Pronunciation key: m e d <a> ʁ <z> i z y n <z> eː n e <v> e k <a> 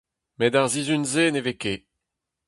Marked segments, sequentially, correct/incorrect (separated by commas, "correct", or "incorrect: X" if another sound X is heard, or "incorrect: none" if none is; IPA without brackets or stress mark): correct, correct, correct, correct, incorrect: e